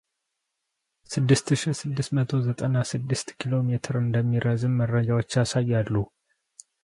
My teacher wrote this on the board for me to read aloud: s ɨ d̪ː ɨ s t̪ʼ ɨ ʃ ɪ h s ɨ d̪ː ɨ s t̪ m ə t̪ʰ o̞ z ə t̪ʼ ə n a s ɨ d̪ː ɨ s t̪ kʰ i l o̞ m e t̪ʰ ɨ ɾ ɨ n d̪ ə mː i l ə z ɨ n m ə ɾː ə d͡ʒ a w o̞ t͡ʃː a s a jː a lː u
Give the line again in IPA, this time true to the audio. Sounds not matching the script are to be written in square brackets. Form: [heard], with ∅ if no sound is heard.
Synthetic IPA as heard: s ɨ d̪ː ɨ s [t̪] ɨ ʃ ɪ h s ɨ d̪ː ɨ s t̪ m ə t̪ʰ o̞ z ə t̪ʼ ə n a s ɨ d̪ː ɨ s t̪ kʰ i l o̞ m e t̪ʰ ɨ ɾ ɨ n d̪ ə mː i [ɾ] ə z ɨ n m ə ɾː ə d͡ʒ a w o̞ t͡ʃː a s a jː a lː u

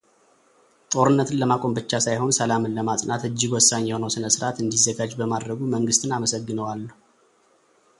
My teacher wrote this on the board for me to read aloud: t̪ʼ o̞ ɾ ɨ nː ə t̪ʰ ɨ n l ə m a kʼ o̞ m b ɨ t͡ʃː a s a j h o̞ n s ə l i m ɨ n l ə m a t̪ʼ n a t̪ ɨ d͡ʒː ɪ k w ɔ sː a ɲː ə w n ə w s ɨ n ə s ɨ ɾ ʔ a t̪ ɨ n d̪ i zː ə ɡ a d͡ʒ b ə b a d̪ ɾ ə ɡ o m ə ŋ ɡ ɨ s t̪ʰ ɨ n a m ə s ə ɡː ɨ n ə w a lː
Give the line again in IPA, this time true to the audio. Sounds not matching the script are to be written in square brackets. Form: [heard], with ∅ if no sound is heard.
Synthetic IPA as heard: t̪ʼ o̞ ɾ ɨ nː ə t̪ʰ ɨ n l ə m a kʼ o̞ m b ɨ t͡ʃː a s a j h o̞ n s ə l [a] m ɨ n l ə m a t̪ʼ n a t̪ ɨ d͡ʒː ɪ [ɡ] w ɔ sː a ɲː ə w n ə w s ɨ n ə s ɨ ɾ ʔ a t̪ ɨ n d̪ i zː ə ɡ a d͡ʒ b ə [m] a d̪ ɾ ə ɡ [u] m ə ŋ ɡ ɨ s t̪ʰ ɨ n a m ə s ə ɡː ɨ n ə w a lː

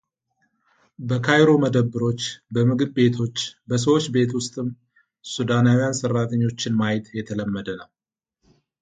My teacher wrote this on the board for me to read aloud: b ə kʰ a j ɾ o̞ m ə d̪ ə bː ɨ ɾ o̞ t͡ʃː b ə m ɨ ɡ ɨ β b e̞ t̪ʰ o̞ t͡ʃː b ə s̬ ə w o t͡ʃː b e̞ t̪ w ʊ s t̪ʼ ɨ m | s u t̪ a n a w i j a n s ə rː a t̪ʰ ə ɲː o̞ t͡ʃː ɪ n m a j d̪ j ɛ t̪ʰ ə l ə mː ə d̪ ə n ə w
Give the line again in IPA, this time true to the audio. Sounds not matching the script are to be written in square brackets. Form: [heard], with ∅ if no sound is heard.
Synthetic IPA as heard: b ə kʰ a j ɾ o̞ m ə d̪ ə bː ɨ ɾ o̞ t͡ʃː b ə m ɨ ɡ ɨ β b e̞ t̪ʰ o̞ t͡ʃː b ə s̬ ə w o t͡ʃː b e̞ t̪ w ʊ s t̪ʼ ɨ m | s u [d̪] a n a w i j a n s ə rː a t̪ʰ ə ɲː o̞ t͡ʃː ɪ n m a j [t̪] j ɛ t̪ʰ ə l ə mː ə d̪ ə n ə w

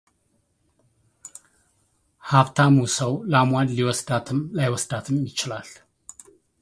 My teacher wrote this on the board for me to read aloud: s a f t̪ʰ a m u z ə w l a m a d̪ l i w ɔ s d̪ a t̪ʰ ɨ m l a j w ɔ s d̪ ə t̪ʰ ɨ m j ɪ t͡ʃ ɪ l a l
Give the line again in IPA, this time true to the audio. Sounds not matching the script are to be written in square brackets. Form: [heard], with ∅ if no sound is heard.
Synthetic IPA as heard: [h] a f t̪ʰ a m u [s] ə w l a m a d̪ l i w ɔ s d̪ a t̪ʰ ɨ m l a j w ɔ s d̪ [a] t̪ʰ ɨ m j ɪ t͡ʃ ɪ l a l

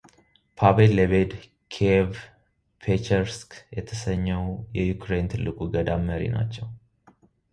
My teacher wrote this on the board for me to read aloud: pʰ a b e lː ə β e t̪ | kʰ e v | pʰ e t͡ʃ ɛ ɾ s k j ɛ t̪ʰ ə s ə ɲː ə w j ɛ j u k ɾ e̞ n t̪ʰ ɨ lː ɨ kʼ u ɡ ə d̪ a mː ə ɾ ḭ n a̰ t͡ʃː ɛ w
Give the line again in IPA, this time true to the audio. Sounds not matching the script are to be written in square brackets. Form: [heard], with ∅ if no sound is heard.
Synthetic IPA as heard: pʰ a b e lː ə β e [d̪] | kʰ e v | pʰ e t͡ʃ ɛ ɾ s k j ɛ t̪ʰ ə s ə ɲː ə w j ɛ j u k ɾ e̞ n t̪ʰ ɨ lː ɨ kʼ u ɡ ə d̪ a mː ə ɾ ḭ n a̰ t͡ʃː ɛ w

